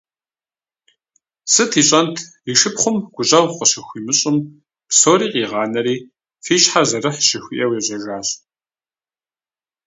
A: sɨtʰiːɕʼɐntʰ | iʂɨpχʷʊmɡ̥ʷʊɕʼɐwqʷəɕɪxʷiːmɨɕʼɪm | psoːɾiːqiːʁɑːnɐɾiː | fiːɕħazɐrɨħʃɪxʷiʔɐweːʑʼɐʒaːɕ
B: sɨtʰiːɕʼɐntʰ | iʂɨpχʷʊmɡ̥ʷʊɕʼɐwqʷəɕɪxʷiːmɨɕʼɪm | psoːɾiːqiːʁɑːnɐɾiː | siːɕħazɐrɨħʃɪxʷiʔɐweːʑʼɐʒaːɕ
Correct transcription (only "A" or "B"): A